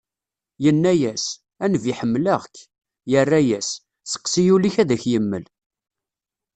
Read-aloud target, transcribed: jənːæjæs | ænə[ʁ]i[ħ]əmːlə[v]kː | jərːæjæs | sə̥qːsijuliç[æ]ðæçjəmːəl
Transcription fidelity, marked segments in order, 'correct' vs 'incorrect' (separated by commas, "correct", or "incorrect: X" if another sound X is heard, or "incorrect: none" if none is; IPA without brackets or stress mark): incorrect: v, correct, incorrect: ʁ, correct